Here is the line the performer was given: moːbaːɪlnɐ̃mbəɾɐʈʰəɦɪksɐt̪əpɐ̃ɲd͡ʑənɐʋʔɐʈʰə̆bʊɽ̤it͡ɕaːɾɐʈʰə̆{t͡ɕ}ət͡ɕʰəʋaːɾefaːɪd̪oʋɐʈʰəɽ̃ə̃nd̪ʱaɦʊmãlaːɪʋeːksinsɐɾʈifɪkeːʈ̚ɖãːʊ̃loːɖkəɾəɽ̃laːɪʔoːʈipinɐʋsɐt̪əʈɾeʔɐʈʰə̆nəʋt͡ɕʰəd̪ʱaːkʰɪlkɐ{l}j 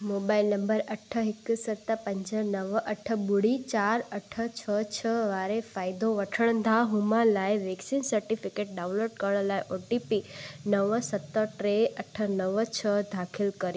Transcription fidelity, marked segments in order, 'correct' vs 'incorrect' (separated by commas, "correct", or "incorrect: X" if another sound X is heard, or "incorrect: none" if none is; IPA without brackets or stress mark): incorrect: t͡ɕʰ, incorrect: ɾ